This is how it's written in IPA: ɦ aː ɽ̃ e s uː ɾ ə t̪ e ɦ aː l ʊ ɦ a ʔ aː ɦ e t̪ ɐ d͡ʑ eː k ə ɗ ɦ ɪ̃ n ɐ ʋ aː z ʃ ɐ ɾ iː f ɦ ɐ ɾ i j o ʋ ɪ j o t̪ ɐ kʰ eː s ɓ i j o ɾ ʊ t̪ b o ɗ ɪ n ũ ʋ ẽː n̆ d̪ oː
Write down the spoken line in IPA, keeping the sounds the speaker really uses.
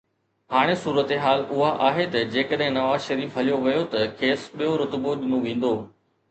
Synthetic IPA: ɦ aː ɽ̃ e s uː ɾ ə t̪ e ɦ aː l ʊ ɦ a ʔ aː ɦ e t̪ ɐ d͡ʑ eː k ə ɗ ɦ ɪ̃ n ɐ ʋ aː z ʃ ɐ ɾ iː f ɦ ɐ l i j o ʋ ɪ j o t̪ ɐ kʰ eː s ɓ i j o ɾ ʊ t̪ b o ɗ ɪ n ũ ʋ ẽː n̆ d̪ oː